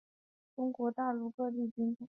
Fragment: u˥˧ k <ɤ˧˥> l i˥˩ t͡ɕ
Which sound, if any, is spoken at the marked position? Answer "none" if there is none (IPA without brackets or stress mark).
ɤ˥˧